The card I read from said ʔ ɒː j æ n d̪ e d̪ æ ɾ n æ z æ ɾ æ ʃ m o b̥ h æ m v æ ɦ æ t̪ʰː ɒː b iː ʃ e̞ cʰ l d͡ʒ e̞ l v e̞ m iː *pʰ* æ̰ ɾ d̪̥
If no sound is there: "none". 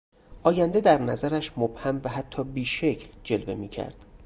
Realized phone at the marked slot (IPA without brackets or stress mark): cʰ